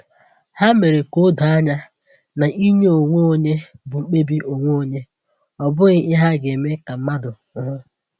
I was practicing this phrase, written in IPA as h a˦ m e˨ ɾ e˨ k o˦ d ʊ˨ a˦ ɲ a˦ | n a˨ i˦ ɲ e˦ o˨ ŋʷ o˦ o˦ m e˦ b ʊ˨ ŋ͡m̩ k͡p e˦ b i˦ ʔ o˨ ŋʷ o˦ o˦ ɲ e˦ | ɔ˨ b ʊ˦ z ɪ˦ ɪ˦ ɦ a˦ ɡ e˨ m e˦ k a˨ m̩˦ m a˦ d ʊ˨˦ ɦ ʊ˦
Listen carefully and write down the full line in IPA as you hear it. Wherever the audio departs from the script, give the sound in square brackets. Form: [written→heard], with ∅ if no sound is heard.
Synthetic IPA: h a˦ m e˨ ɾ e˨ k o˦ d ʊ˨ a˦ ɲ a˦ | n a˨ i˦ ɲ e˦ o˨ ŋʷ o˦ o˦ [m→ɲ] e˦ b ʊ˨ ŋ͡m̩ k͡p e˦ b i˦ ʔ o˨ ŋʷ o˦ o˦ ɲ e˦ | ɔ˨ b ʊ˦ [z→ɣ] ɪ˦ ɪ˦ ɦ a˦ ɡ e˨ m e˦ k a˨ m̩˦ m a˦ d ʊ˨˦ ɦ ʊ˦